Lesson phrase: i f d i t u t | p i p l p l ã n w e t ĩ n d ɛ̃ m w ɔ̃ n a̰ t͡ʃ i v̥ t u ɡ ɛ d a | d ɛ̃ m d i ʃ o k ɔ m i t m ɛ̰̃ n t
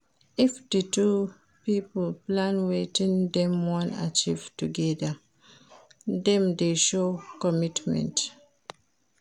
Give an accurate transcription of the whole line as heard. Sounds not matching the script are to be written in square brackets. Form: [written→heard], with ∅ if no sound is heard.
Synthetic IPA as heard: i f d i t u [t→∅] | p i p l p l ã n w e t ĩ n d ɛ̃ m w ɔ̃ n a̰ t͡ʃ i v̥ t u ɡ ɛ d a | d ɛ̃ m d [i→e] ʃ o k ɔ m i t m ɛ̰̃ n t